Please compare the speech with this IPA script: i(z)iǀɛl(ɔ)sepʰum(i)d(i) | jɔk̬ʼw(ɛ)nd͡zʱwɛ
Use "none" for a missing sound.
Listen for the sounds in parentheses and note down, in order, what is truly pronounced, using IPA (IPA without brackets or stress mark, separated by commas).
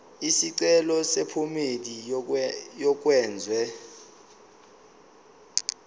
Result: s, ɔ, e, i, ɛː